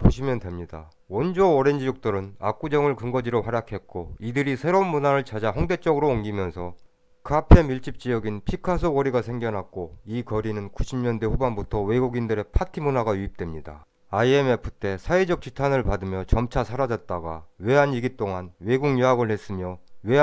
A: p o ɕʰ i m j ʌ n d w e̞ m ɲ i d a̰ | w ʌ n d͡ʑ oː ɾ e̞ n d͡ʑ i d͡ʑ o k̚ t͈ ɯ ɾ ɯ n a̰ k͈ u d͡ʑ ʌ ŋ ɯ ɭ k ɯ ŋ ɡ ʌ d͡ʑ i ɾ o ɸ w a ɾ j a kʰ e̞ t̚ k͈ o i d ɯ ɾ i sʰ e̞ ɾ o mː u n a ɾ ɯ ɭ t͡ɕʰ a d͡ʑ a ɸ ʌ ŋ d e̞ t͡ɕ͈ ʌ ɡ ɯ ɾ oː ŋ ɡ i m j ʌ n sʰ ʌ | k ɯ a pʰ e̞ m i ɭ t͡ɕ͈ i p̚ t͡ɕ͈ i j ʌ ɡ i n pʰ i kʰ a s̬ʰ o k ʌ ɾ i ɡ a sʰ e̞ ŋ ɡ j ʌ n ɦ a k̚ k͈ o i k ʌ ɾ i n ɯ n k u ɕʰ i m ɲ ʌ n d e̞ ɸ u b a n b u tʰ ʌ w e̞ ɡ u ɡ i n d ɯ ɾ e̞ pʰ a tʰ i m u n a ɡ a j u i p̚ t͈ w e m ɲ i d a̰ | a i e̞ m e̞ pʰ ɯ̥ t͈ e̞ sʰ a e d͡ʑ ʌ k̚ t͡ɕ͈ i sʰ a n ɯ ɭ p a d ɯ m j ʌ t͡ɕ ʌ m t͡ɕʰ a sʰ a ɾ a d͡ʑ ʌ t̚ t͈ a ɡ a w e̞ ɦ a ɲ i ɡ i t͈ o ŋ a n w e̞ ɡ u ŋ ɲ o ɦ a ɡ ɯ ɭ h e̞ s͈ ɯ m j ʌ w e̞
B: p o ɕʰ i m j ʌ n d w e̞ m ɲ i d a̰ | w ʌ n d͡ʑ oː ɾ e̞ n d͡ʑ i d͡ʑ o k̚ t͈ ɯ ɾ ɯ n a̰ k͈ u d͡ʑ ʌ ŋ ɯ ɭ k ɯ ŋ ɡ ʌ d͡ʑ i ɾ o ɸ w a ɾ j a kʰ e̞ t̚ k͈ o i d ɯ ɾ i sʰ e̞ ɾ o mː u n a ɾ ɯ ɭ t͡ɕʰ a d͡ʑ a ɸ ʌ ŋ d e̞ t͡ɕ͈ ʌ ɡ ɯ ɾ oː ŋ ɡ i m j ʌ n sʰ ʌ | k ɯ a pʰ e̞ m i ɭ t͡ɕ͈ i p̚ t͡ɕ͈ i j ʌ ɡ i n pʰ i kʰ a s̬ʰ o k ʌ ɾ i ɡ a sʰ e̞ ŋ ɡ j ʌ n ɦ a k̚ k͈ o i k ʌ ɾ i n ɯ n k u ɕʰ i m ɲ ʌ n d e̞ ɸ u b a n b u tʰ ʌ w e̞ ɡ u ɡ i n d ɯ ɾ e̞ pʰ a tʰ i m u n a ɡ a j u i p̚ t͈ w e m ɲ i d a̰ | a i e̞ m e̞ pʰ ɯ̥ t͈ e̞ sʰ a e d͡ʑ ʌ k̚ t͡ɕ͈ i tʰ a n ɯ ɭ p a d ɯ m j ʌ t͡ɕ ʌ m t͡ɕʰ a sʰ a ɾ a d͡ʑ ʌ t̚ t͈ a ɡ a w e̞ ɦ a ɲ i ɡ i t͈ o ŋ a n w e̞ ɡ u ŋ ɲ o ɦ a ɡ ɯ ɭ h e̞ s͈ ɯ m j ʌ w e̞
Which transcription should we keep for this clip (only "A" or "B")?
B